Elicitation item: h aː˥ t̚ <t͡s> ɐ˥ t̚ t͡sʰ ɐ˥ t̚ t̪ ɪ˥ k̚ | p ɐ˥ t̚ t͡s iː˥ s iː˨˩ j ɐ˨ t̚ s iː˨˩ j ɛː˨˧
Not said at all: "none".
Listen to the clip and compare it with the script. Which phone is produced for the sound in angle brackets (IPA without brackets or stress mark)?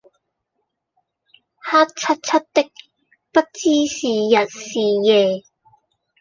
t͡sʰ